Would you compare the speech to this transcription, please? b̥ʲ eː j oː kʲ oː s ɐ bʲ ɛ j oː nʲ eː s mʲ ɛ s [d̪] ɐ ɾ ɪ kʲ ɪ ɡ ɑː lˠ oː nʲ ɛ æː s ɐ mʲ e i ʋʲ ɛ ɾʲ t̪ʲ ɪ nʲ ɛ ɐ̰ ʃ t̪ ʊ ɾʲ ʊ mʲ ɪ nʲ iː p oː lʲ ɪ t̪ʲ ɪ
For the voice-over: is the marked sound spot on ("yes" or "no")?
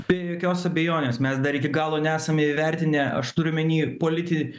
yes